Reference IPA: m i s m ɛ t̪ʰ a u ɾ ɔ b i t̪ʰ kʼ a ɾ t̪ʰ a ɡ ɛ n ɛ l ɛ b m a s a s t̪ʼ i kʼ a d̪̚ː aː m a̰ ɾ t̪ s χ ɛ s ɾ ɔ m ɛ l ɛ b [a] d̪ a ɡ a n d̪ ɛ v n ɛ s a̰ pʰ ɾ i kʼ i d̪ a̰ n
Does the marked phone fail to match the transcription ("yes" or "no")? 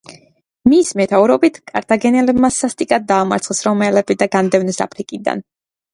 yes